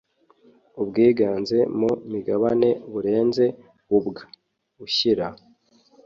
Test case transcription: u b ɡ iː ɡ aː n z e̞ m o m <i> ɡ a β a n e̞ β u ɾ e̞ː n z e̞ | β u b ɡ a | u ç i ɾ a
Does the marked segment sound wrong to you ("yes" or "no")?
no